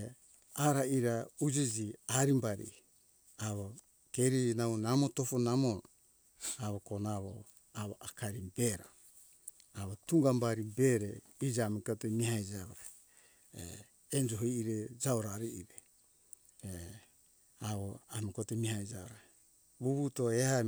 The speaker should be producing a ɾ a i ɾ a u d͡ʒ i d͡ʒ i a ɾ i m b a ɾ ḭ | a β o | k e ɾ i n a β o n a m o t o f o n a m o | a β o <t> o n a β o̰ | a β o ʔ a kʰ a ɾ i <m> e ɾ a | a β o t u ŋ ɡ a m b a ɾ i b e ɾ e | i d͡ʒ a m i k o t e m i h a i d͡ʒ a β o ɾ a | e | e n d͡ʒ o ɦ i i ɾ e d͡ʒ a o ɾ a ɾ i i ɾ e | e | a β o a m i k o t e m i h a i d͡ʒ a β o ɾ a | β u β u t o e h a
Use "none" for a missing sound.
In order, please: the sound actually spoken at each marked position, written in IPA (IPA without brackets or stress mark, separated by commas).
k, b